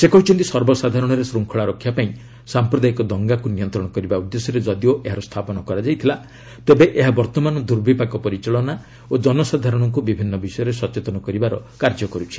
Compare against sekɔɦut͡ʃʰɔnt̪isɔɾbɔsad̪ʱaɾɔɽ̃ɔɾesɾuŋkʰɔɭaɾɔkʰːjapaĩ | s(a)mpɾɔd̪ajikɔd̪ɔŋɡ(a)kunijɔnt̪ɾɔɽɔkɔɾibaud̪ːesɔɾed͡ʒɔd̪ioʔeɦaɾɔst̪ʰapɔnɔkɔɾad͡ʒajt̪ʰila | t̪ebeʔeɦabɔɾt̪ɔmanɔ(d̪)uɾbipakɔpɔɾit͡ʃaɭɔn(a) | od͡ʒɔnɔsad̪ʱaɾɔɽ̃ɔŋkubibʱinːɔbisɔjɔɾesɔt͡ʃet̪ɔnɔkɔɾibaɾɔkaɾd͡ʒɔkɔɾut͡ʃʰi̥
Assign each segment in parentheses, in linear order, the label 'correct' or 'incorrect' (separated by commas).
correct, correct, correct, correct